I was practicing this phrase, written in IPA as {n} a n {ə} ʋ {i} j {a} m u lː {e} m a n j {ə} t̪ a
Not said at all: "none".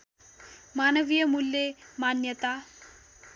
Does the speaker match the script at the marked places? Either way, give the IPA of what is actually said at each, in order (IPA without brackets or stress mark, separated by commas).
m, ə, i, ə, e, ə